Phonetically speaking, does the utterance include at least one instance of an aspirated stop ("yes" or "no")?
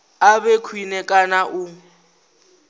yes